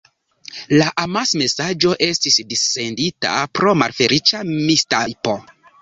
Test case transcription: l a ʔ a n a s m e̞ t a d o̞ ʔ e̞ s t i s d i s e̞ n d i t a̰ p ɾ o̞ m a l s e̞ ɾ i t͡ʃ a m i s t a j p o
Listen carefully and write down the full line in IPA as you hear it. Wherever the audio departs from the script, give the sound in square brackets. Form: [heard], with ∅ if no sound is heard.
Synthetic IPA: l a ʔ a [m] a s m e̞ [s] a [d͡ʒ] o̞ ʔ e̞ s t i s d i s e̞ n d i t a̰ p ɾ o̞ m a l [f] e̞ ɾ i t͡ʃ a m i s t a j p o

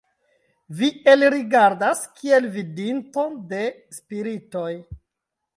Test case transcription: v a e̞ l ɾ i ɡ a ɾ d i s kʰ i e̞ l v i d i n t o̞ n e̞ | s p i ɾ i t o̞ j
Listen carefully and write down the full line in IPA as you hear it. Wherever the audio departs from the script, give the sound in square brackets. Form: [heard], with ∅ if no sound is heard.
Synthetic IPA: v [i] e̞ l ɾ i ɡ a ɾ d [a] s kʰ i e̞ l v i d i n t o̞ [d] e̞ | s p i ɾ i t o̞ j

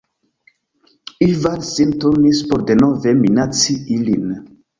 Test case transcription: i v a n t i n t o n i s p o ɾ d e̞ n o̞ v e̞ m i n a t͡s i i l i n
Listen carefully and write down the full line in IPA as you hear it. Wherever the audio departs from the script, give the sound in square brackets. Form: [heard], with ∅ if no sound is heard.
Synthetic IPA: i v a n [s] i n t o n i s p o ɾ d e̞ n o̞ v e̞ m i n a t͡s i i l i n

